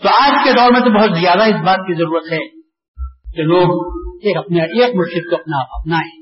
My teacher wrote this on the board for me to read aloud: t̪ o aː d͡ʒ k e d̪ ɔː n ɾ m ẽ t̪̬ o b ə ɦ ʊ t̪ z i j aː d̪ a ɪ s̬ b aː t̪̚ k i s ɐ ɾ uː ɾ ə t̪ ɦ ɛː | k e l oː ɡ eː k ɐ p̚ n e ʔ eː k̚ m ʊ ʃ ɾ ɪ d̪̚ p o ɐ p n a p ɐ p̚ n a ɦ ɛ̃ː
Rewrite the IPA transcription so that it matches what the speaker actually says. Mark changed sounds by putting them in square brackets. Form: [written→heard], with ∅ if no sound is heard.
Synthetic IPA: t̪ o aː d͡ʒ k e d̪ ɔː [n→∅] ɾ m ẽ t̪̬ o b [ə→ɐ] ɦ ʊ t̪ z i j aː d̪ a ɪ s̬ b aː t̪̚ k i [s→z] ɐ ɾ uː ɾ ə t̪ ɦ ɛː | k e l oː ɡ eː k ɐ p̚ n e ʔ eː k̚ m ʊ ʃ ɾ ɪ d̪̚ [p→k] o ɐ p n a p ɐ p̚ n a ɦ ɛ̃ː